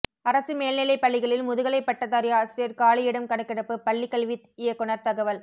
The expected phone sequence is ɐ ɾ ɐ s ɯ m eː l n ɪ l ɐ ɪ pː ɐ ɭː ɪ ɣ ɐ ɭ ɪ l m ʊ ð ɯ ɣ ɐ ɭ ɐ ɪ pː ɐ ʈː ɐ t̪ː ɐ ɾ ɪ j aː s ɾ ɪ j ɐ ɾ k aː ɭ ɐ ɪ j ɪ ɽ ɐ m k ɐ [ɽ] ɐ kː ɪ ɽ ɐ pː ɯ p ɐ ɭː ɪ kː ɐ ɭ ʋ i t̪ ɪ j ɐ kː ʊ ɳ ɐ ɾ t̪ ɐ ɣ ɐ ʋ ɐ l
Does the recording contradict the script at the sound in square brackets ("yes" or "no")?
no